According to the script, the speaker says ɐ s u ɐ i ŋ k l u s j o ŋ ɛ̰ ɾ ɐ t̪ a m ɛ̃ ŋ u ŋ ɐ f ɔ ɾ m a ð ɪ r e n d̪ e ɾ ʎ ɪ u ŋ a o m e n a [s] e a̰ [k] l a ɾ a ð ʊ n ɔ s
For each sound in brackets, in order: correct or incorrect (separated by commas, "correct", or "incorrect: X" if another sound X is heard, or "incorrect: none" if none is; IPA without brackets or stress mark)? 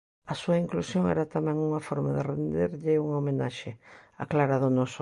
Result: incorrect: ʃ, correct